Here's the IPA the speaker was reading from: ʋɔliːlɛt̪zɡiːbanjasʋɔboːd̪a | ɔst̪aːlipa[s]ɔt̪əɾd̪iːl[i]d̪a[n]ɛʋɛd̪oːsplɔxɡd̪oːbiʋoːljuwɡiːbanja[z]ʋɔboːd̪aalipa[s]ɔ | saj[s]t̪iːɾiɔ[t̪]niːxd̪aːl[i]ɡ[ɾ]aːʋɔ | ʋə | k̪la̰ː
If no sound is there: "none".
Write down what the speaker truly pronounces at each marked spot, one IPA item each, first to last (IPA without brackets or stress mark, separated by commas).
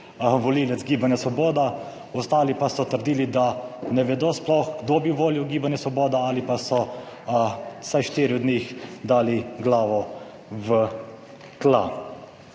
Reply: s, i, n, s, s, ʃ, d̪, i, l